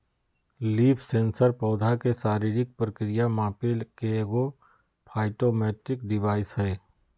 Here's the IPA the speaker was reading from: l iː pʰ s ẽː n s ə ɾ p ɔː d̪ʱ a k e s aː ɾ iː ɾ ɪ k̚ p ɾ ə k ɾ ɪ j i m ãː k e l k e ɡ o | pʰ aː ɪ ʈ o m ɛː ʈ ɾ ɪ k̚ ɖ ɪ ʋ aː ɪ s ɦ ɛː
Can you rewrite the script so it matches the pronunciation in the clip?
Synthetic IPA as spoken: l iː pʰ s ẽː n s ə ɾ p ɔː d̪ʱ a k e s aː ɾ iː ɾ ɪ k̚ p ɾ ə k ɾ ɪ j a m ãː p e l k e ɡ o | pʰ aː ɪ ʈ o m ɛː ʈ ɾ ɪ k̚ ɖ ɪ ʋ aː ɪ s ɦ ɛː